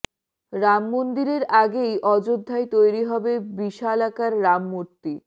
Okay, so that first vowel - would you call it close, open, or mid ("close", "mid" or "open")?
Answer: open